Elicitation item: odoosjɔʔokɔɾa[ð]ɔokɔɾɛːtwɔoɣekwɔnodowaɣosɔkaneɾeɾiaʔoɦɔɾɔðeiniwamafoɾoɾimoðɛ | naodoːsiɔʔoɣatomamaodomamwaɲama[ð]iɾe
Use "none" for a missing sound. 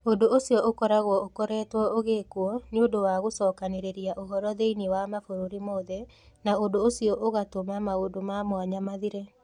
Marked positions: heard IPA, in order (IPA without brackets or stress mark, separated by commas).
ɣ, ð